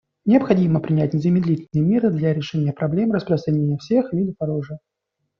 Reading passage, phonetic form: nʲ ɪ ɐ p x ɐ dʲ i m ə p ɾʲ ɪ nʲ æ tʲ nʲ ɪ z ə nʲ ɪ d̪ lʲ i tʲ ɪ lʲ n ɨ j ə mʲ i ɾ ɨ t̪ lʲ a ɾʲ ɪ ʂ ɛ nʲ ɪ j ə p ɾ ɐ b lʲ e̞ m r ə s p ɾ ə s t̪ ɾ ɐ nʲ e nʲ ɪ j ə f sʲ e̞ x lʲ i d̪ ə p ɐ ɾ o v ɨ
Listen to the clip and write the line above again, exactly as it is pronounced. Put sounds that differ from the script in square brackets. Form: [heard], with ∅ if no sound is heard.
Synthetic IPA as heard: nʲ ɪ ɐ p x ɐ dʲ i m ə p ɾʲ ɪ nʲ æ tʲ nʲ ɪ z ə [mʲ] ɪ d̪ lʲ i tʲ ɪ lʲ n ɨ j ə mʲ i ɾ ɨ [d̪] lʲ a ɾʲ ɪ ʂ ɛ nʲ ɪ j ə p ɾ ɐ b lʲ e̞ m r ə s p ɾ ə s t̪ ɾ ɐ nʲ e nʲ ɪ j ə f sʲ e̞ x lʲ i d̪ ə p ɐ ɾ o [ʐ] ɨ